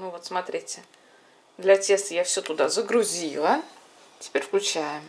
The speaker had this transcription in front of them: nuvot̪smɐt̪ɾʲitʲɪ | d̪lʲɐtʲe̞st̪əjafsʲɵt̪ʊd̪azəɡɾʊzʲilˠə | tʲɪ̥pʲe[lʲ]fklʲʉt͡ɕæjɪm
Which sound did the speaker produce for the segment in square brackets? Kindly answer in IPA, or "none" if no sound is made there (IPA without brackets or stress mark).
ɾʲ